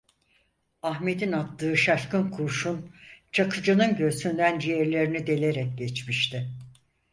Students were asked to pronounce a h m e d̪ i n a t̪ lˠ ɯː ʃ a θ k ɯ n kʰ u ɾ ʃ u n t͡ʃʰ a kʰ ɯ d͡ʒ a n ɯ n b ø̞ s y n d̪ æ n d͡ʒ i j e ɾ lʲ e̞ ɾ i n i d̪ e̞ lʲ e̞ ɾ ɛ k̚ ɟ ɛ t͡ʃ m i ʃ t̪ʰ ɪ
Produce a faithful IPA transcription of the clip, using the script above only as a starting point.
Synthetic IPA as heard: a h m e d̪ i n a t̪ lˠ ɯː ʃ a ʃ k ɯ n kʰ u ɾ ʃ u n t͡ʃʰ a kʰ ɯ d͡ʒ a n ɯ n ɟ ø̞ s y n d̪ æ n d͡ʒ i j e ɾ lʲ e̞ ɾ i n i d̪ e̞ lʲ e̞ ɾ ɛ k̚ ɟ ɛ t͡ʃ m i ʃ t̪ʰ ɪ